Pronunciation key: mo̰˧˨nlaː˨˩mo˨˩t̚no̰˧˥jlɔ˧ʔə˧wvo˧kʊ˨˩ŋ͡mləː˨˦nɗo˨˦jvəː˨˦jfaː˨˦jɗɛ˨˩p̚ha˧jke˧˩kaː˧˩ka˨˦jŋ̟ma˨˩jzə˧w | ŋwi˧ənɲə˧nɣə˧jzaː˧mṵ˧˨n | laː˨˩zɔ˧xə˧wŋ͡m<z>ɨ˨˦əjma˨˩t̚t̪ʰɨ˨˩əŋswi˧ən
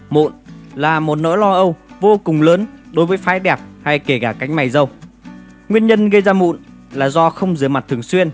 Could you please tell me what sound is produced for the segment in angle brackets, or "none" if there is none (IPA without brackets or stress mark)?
z